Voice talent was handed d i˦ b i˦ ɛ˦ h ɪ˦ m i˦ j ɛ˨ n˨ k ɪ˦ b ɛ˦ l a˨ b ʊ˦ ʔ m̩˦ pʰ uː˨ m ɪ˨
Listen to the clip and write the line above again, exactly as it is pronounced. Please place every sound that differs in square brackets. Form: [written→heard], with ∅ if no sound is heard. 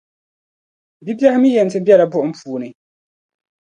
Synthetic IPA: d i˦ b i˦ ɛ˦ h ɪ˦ m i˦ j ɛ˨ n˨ [k→t] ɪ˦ b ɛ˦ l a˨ b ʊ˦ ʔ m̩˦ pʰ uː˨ [m→n] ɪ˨